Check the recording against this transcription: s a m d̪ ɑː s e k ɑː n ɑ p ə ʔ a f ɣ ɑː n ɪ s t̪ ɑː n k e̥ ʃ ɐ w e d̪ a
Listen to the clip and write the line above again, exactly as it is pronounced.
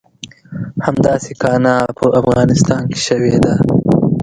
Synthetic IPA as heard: h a m d̪ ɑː s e k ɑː n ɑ p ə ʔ a f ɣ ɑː n ɪ s t̪ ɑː n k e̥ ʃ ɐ w e d̪ a